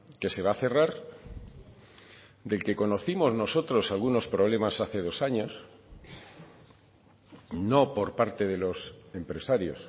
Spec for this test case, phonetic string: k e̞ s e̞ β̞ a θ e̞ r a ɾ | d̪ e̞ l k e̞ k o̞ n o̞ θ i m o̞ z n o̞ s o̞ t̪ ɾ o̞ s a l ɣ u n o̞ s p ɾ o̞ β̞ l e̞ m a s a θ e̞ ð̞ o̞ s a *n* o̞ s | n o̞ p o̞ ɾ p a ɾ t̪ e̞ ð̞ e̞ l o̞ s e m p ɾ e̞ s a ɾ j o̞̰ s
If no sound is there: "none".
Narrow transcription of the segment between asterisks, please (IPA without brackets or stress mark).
ɲ